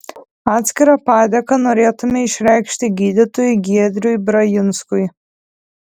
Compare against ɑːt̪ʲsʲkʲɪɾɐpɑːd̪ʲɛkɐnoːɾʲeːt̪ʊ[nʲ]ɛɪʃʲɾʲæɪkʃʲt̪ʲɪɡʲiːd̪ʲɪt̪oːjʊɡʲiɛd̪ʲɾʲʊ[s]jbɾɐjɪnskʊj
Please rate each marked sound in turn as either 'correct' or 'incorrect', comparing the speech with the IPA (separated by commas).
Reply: incorrect, incorrect